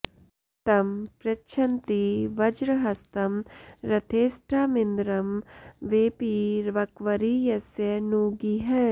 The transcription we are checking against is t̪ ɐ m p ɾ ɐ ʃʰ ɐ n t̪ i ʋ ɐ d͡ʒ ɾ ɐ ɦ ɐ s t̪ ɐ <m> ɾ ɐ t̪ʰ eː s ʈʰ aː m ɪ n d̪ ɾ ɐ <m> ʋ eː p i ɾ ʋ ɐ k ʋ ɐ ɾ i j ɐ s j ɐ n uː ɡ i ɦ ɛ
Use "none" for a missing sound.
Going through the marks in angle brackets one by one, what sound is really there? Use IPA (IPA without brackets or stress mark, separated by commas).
m, m